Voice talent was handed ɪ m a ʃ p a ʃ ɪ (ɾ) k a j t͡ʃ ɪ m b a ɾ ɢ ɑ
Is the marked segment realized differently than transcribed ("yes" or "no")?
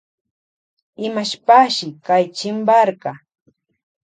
yes